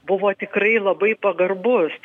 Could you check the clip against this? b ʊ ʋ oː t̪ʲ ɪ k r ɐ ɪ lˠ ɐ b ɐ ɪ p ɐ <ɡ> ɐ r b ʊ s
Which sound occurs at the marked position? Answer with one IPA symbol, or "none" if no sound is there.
ɡ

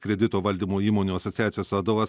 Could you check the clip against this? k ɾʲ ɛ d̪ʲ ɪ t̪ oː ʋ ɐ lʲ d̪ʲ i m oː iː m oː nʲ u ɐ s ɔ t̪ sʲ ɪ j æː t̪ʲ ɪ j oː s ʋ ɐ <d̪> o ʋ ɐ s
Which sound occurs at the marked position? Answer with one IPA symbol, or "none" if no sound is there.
d̪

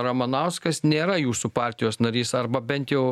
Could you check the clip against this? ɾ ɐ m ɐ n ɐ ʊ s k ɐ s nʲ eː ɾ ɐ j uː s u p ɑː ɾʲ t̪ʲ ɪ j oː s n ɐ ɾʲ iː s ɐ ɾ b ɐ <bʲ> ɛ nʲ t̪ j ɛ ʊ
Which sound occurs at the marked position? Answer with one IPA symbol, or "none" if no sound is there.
bʲ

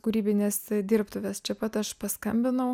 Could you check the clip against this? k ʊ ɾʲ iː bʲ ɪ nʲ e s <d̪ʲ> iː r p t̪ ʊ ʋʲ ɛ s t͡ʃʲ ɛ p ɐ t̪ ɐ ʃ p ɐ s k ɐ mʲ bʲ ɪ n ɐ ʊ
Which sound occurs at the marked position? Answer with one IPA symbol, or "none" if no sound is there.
d̪ʲ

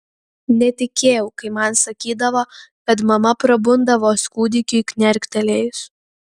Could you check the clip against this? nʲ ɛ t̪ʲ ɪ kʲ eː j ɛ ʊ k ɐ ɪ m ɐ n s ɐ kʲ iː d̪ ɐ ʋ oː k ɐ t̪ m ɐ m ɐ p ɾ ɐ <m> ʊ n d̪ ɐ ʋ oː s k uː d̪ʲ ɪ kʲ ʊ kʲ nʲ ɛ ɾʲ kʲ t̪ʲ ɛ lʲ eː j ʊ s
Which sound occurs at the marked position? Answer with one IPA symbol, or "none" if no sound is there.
b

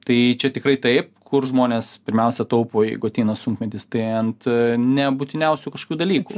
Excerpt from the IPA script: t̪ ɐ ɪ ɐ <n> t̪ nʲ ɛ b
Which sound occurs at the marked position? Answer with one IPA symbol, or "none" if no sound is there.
n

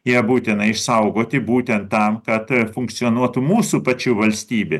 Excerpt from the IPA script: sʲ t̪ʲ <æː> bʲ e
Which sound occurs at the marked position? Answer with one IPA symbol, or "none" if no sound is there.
iː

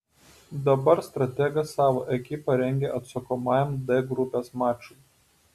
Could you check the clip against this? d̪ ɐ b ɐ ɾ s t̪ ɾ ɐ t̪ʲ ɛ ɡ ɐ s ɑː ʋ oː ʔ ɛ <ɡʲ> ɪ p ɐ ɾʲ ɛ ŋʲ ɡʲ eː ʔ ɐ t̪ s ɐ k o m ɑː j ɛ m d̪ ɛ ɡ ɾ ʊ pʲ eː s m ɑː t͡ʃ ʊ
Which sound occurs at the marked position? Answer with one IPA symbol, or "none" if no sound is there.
kʲ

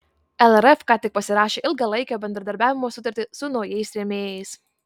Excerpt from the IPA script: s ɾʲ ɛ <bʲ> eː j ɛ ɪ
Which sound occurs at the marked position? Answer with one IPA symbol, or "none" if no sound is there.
mʲ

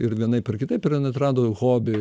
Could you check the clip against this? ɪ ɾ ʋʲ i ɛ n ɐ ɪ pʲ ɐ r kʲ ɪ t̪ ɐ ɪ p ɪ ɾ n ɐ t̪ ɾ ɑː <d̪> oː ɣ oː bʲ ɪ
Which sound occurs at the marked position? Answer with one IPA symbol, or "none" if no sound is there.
d̪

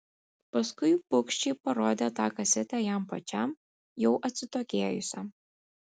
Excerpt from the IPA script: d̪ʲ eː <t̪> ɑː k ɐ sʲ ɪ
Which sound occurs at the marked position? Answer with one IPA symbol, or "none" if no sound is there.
t̪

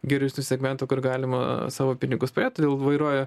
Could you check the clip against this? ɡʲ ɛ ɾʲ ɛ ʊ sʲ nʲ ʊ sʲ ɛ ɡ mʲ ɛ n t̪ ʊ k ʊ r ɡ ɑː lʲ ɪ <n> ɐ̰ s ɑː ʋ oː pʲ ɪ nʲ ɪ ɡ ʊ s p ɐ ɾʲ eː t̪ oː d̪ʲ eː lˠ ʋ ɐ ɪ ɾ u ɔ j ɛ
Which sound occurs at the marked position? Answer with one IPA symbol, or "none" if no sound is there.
m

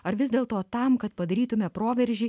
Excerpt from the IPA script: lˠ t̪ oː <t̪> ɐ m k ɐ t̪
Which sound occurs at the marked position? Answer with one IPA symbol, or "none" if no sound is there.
t̪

